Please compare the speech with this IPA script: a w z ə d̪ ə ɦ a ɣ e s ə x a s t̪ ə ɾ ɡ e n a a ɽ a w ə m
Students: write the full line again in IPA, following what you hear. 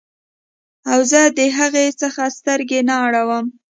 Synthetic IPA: a w z ə d̪ ə ɦ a ɣ e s ə x a s t̪ ə ɾ ɡ e n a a ɽ a w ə m